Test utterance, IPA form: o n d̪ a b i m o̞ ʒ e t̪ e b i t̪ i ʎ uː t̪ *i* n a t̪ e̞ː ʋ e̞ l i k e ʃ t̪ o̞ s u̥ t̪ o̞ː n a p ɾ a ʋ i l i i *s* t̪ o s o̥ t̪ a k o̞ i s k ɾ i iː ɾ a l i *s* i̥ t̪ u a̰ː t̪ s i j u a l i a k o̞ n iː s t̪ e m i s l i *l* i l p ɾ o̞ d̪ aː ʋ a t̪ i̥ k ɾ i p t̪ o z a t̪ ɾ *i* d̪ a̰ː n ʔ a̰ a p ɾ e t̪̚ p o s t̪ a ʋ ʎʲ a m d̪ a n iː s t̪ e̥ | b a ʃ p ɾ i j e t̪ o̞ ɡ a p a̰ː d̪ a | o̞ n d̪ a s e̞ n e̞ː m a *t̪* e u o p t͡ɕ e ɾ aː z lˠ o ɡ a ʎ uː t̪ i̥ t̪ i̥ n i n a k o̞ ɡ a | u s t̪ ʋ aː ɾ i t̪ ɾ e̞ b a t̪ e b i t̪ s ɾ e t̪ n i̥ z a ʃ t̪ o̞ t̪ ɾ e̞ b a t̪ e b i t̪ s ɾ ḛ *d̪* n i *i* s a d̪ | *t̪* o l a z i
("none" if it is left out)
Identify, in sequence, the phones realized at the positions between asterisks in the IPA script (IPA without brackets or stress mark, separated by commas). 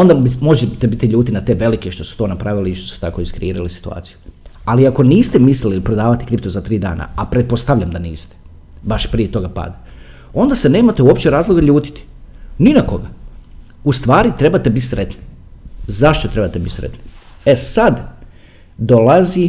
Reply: i, ʃ, s, l, iː, t̪, t̪, e, d̪